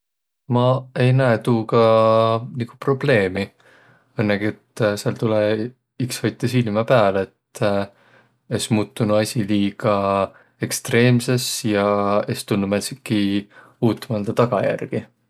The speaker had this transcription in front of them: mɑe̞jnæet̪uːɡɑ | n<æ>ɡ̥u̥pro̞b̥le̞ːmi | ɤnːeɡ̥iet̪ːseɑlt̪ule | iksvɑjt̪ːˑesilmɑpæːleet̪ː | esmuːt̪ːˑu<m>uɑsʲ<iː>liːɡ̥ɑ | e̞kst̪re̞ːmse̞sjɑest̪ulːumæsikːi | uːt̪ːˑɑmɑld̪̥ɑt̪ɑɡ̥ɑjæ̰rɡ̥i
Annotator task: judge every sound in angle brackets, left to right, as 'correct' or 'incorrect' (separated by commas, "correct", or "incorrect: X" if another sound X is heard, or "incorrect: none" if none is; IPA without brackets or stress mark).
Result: incorrect: i, incorrect: n, incorrect: i